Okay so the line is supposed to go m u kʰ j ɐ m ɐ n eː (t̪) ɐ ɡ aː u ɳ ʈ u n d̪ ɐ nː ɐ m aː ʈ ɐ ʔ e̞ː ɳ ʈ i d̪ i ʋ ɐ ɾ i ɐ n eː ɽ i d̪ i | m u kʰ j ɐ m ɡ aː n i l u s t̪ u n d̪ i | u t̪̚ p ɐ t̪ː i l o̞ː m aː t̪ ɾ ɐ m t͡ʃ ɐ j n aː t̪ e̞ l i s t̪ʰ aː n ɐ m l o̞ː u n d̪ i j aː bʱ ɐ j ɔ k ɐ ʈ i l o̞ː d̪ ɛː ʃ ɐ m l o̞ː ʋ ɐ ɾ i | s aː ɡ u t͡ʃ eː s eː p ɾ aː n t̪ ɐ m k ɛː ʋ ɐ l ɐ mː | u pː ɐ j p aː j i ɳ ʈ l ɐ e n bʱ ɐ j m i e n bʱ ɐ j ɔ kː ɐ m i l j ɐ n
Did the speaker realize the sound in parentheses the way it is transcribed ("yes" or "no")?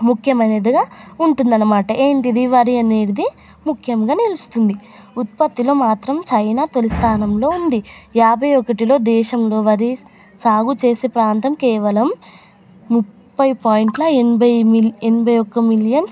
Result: no